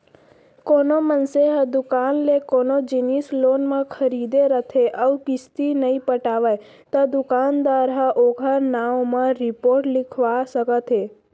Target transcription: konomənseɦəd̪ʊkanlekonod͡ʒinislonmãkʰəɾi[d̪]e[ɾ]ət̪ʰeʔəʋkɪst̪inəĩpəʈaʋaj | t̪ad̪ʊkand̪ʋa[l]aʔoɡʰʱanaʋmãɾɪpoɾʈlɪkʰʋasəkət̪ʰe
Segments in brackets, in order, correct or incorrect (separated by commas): correct, correct, incorrect